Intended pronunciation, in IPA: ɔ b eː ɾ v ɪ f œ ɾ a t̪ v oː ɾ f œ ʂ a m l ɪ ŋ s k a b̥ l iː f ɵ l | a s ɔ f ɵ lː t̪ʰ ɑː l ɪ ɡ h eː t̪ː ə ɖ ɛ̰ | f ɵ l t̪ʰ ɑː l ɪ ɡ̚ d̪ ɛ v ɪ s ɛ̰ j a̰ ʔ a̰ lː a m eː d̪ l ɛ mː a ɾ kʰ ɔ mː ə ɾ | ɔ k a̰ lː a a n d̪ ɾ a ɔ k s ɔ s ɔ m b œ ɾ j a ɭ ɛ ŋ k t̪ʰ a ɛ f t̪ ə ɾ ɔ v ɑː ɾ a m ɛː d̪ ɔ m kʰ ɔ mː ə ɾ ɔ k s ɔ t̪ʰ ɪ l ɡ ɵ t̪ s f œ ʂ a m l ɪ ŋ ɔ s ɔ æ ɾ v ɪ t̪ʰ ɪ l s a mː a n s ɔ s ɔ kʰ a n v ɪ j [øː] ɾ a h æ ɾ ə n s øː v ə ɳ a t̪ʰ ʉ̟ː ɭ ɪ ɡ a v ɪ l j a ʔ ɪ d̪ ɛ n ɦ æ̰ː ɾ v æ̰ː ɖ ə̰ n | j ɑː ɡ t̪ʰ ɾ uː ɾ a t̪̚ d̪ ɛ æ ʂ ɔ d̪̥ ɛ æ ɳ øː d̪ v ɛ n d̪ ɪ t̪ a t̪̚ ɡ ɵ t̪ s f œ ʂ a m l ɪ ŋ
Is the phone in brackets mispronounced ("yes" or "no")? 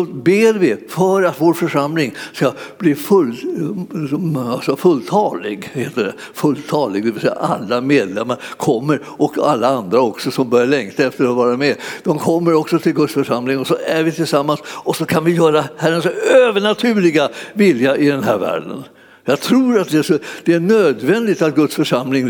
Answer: yes